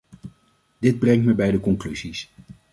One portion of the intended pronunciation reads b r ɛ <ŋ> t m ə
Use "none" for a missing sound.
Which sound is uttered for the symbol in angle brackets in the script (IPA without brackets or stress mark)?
ŋ